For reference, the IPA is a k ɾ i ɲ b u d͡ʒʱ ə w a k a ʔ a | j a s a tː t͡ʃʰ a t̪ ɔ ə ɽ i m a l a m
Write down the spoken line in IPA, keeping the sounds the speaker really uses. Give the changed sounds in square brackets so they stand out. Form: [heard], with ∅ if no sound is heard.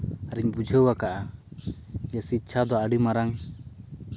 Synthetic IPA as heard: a [∅] ɾ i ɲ b u d͡ʒʱ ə w a k a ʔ a | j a s [i] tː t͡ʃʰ a [d̪] ɔ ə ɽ i m a [ɾ] a [ŋ]